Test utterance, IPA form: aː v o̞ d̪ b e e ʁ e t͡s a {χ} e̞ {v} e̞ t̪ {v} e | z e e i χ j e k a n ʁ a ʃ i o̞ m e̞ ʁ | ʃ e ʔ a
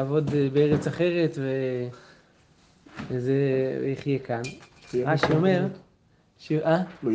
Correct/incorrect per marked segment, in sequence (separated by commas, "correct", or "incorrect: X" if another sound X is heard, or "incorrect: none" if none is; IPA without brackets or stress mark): correct, incorrect: ʁ, correct